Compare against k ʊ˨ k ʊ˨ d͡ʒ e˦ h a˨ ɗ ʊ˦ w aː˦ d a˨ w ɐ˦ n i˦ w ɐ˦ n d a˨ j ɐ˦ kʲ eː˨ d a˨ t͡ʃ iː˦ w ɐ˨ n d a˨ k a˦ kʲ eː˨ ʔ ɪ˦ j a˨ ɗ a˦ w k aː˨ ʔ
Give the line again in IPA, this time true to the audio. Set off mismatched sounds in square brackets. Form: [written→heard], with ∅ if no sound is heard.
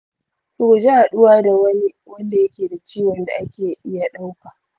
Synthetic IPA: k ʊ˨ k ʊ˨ d͡ʒ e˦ h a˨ ɗ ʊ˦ w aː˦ d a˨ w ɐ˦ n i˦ w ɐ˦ n d a˨ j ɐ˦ kʲ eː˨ d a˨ t͡ʃ iː˦ w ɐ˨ n d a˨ [k→ʔ] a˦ kʲ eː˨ ʔ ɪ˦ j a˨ ɗ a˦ w k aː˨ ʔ